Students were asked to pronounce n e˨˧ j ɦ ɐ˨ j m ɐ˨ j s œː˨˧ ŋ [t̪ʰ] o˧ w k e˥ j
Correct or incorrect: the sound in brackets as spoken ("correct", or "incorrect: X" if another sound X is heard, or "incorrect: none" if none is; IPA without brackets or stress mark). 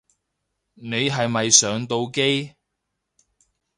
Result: incorrect: t̪